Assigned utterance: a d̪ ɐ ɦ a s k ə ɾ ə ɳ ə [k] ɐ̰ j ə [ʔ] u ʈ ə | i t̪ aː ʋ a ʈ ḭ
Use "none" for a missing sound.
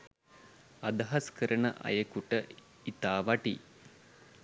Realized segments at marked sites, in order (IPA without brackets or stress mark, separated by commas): ʔ, k